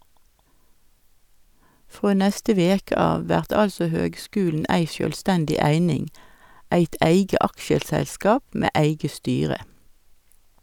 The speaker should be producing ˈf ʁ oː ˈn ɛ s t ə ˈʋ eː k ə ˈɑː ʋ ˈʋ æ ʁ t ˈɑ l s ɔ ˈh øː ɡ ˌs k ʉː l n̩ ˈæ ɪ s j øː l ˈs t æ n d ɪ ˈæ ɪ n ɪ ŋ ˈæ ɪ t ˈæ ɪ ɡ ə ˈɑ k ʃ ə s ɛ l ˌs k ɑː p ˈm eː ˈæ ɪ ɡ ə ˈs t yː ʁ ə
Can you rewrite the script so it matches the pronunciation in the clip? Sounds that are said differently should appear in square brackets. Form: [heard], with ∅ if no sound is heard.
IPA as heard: ˈf ʁ oː ˈn ɛ s t ə ˈʋ eː k ə ˈɑː ʋ ˈʋ æ ʁ t ˈɑ l s ɔ ˈh øː ɡ ˌs k ʉː l n̩ ˈæ ɪ s j øː l ˈs t æ n d ɪ ˈæ ɪ n ɪ ŋ ˈæ ɪ t ˈæ ɪ ɡ ə ˈɑ k ʃ ə s ɛ l ˌs k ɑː p ˈm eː ˈæ ɪ ɡ ə ˈs t yː ʁ ə